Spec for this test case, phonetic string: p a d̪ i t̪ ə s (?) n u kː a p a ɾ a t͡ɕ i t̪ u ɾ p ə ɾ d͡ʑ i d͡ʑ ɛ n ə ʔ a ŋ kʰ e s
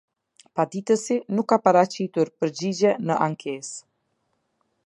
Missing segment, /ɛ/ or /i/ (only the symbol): i